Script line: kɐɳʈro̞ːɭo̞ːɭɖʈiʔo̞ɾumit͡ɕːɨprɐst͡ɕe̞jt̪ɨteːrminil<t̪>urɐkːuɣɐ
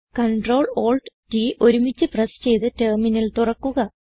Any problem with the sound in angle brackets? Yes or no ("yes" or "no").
no